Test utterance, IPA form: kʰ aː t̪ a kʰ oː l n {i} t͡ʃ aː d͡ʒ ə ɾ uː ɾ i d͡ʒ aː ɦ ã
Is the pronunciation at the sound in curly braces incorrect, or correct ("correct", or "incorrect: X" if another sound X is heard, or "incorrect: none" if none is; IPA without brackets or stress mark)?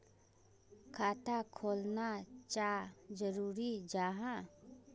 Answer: incorrect: a